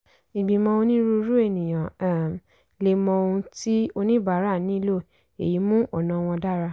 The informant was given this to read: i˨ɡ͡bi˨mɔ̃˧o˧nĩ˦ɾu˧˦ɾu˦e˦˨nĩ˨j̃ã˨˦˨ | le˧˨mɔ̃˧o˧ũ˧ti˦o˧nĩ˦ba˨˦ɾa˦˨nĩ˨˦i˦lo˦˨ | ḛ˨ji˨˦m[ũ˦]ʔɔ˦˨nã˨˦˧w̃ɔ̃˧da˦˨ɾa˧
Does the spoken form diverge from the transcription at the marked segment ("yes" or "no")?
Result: no